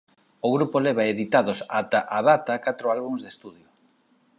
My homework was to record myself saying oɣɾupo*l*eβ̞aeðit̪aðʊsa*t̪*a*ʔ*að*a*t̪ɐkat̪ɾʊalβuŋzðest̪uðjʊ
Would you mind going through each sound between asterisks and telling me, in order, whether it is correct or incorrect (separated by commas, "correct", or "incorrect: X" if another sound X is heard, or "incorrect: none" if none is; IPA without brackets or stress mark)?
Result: correct, correct, correct, correct